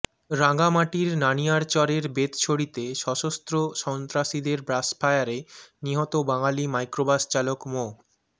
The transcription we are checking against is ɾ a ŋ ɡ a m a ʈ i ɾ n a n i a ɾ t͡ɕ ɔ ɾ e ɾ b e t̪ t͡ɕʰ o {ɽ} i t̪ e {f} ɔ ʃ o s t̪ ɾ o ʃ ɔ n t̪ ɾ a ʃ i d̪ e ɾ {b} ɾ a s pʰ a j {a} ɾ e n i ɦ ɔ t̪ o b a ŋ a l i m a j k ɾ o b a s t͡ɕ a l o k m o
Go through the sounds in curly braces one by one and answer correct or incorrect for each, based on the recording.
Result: correct, incorrect, correct, correct

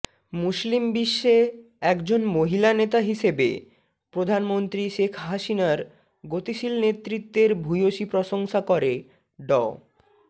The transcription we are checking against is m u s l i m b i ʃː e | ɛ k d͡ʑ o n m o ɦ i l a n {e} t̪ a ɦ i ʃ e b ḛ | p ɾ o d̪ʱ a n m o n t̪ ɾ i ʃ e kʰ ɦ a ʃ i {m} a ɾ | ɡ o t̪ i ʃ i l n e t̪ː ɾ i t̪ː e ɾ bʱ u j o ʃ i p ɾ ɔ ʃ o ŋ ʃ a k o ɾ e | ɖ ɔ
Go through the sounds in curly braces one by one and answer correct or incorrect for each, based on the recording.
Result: correct, incorrect

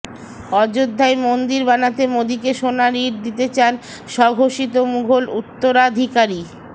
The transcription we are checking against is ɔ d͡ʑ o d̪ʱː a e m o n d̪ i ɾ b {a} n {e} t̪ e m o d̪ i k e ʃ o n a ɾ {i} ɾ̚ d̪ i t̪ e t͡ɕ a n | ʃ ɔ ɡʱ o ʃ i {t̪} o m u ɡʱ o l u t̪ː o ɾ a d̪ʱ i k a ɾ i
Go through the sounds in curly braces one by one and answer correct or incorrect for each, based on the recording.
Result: correct, incorrect, correct, correct

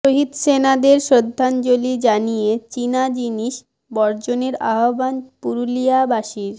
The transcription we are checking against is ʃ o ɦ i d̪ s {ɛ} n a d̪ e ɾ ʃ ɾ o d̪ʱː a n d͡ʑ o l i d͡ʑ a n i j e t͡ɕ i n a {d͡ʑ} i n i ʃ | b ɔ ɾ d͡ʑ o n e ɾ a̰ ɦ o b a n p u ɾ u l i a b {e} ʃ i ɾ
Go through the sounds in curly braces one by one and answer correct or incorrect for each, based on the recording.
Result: incorrect, correct, incorrect

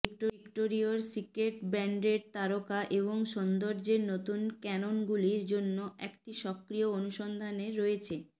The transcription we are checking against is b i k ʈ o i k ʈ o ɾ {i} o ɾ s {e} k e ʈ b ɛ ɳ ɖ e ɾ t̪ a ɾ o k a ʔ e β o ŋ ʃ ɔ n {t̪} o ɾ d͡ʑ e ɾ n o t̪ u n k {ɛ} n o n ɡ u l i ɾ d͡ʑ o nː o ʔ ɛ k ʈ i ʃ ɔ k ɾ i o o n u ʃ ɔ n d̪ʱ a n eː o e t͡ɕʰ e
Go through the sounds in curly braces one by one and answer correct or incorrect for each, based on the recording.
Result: correct, incorrect, incorrect, correct

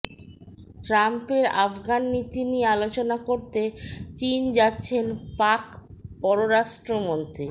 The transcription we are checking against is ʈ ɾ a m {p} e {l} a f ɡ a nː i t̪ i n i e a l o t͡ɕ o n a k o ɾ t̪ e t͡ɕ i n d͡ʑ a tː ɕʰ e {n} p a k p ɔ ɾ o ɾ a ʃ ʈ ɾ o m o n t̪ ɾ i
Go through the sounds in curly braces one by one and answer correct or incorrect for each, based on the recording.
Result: correct, incorrect, correct

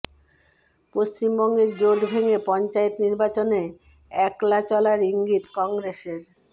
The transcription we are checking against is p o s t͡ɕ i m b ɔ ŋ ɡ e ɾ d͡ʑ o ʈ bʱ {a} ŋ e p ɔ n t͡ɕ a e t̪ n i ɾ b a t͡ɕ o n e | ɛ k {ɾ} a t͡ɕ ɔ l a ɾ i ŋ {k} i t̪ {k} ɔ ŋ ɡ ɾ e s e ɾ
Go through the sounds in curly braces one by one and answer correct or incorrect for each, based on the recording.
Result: incorrect, incorrect, incorrect, correct

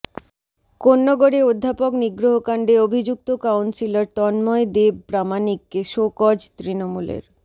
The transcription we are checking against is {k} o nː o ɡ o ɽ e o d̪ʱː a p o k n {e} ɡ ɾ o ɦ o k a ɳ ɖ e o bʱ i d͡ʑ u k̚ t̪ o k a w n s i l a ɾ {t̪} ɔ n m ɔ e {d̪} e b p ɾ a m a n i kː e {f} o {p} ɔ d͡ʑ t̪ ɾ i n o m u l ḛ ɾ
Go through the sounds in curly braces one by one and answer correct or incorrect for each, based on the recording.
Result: correct, incorrect, correct, correct, incorrect, incorrect

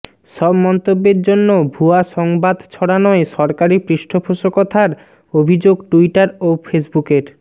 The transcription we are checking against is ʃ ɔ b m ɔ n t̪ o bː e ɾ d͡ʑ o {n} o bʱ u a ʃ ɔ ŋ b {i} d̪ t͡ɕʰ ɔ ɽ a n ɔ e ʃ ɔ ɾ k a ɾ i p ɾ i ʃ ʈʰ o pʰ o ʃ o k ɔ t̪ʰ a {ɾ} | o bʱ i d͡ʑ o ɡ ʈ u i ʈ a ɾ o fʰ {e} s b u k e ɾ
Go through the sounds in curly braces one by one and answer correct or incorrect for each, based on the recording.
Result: incorrect, incorrect, correct, correct

